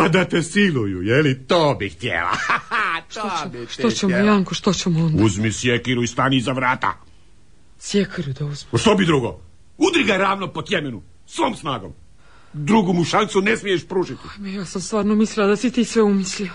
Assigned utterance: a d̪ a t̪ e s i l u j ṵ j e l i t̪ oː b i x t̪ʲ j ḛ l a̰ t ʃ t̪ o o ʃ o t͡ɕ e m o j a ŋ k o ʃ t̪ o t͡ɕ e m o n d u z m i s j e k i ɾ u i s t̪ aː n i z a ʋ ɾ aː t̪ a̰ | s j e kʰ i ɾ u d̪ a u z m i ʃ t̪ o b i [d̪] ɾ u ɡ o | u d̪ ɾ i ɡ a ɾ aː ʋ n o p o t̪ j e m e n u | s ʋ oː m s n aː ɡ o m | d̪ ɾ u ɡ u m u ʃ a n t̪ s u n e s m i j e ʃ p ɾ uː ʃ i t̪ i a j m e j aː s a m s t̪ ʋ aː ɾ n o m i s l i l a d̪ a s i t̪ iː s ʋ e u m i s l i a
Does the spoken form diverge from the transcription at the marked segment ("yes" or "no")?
no